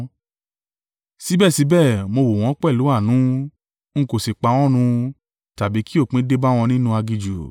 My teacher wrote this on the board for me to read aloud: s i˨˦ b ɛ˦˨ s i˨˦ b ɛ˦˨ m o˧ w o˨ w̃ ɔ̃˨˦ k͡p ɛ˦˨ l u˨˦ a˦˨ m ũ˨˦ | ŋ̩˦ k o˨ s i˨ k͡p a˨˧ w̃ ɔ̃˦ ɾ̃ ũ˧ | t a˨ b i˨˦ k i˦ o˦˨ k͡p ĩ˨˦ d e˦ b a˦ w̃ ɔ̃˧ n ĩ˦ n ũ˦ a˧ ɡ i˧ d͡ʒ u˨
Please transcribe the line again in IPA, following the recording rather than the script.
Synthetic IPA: s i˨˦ b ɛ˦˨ s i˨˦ b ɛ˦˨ m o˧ w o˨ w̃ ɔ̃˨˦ k͡p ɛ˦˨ l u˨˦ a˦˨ n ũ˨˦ | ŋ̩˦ k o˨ s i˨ k͡p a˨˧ w̃ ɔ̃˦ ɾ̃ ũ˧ | t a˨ b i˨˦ k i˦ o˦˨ k͡p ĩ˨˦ d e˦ b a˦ w̃ ɔ̃˧ n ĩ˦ n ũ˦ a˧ ɡ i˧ d͡ʒ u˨